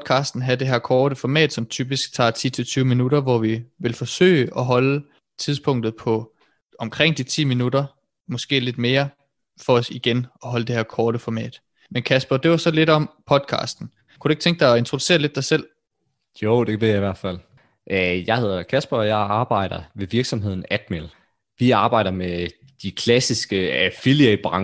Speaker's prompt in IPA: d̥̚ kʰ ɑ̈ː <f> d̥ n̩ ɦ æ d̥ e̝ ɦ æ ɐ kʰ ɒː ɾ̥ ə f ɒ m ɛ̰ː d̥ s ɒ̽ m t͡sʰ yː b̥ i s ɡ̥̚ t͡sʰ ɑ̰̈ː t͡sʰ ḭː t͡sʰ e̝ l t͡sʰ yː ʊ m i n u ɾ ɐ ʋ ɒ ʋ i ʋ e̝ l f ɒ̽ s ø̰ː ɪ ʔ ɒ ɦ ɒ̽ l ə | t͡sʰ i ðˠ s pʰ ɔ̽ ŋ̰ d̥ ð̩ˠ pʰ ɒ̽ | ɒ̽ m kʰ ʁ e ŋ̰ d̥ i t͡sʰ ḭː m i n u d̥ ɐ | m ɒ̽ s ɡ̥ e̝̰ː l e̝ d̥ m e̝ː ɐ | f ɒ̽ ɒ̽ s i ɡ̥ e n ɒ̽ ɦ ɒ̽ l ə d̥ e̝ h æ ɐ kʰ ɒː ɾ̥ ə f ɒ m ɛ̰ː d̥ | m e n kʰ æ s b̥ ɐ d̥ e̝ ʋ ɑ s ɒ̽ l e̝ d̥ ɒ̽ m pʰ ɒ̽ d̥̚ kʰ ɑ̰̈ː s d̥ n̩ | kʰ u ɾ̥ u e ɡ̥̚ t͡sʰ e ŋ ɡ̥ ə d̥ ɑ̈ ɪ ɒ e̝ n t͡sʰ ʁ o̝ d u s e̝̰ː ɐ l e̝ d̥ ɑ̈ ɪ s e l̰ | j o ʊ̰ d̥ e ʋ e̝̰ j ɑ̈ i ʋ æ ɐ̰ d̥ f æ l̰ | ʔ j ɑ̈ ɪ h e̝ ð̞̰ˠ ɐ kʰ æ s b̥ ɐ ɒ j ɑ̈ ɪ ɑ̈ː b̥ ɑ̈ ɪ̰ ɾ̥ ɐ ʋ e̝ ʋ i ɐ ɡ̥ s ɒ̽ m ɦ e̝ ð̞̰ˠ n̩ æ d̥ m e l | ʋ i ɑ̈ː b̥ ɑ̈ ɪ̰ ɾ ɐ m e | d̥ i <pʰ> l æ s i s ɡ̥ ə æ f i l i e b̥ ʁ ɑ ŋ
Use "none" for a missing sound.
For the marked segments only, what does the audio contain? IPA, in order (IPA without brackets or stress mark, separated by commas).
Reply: s, kʰ